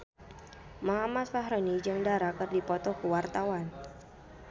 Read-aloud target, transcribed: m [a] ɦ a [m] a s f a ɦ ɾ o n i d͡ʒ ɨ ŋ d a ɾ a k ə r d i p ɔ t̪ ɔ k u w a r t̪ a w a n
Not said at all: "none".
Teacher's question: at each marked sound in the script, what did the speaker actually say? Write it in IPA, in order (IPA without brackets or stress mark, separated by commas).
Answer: a, m